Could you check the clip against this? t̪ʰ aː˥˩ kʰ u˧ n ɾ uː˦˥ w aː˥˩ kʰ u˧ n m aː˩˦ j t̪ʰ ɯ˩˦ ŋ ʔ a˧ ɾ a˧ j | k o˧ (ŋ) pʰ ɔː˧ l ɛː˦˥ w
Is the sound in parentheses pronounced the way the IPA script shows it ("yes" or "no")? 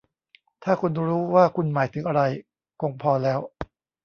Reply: yes